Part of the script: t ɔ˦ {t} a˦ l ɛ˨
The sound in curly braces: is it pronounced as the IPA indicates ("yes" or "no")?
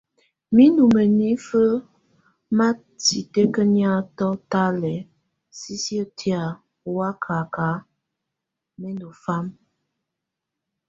yes